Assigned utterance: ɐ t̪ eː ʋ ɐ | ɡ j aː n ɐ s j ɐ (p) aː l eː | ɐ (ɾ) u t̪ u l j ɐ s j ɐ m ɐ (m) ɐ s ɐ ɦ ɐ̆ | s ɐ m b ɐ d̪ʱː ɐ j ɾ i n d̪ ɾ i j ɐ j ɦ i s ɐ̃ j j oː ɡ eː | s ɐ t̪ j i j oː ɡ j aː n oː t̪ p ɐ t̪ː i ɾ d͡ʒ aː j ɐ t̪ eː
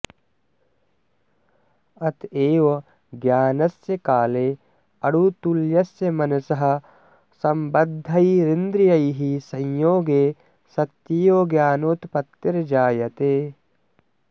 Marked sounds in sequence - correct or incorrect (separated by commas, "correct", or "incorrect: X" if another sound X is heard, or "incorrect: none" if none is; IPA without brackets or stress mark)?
incorrect: k, incorrect: ɽ, incorrect: n